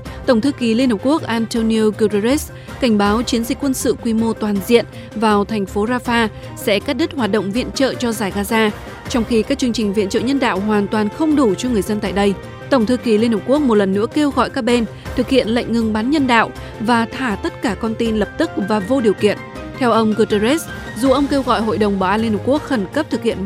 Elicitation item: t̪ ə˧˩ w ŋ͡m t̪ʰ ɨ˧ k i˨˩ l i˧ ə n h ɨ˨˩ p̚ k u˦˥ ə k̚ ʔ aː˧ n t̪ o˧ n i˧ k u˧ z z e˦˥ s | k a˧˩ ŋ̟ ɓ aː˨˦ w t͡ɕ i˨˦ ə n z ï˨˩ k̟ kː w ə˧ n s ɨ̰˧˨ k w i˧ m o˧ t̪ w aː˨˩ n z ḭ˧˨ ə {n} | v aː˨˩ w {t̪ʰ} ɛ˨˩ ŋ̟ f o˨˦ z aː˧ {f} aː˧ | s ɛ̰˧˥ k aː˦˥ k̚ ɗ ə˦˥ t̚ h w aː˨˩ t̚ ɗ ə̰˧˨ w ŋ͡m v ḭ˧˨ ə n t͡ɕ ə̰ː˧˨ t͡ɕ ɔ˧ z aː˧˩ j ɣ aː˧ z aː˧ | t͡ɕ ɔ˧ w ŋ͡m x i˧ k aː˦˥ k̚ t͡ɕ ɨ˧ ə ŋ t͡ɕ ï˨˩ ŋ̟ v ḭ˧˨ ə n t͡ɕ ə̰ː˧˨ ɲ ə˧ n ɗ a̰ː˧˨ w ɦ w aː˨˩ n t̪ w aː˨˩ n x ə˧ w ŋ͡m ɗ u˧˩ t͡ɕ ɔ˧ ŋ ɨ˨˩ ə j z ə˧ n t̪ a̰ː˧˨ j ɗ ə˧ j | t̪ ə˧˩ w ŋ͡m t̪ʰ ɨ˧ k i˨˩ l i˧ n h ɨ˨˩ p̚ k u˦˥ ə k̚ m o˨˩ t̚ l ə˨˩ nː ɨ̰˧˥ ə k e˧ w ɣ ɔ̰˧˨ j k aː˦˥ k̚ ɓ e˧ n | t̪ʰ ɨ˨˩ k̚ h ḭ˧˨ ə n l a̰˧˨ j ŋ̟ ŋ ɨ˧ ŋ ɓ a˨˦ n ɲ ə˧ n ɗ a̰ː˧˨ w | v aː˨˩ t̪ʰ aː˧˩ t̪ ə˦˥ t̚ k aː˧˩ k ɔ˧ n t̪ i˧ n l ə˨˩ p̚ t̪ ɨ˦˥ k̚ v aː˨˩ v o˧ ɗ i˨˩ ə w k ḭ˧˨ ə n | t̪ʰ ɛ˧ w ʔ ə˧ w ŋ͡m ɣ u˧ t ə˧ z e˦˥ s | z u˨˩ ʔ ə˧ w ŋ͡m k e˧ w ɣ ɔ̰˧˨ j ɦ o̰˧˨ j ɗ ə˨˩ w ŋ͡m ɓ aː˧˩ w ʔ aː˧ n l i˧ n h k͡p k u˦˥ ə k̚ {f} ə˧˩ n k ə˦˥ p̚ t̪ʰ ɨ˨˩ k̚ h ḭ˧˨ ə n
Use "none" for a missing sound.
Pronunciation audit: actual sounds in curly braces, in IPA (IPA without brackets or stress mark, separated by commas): n, t̪ʰ, f, x